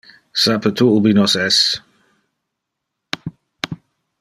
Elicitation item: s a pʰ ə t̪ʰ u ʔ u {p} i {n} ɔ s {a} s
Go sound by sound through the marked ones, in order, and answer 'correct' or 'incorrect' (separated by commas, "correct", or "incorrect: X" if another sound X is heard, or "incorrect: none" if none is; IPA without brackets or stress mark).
incorrect: b, correct, incorrect: ɛ